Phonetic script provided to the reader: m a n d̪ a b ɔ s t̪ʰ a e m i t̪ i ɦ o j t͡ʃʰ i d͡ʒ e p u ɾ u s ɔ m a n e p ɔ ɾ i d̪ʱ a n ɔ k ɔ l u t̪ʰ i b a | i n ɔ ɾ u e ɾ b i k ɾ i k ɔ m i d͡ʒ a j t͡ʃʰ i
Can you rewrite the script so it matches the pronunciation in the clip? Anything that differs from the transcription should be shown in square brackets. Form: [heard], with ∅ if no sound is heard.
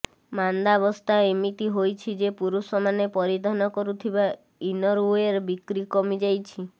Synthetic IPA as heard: m a n d̪ a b ɔ s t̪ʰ a e m i t̪ i ɦ o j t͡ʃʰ i d͡ʒ e p u ɾ u s ɔ m a n e p ɔ ɾ i d̪ʱ a n ɔ k ɔ [ɾ] u t̪ʰ i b a | i n ɔ ɾ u e ɾ b i k ɾ i k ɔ m i d͡ʒ a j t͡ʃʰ i